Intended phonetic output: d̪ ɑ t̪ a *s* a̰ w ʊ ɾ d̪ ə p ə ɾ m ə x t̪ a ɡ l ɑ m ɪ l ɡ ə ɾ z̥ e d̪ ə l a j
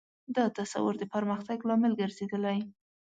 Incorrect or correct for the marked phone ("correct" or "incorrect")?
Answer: correct